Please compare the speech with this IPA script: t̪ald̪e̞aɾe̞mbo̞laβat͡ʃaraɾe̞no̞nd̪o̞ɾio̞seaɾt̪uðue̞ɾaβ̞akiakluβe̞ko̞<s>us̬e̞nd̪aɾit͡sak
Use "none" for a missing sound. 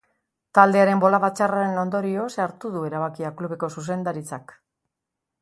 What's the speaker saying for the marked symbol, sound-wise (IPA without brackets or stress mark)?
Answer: s